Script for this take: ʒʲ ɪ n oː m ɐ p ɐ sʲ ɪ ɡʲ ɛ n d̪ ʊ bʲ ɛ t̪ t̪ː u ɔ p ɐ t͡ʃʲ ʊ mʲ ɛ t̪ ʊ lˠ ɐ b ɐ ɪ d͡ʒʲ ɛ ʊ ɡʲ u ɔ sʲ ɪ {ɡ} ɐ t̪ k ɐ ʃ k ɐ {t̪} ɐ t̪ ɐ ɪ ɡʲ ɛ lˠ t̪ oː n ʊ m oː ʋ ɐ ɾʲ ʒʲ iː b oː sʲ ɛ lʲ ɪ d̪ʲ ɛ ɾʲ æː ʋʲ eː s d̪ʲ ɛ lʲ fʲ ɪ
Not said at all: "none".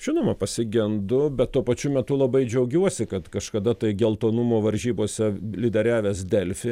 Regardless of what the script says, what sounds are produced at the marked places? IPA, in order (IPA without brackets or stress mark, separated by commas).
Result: k, d̪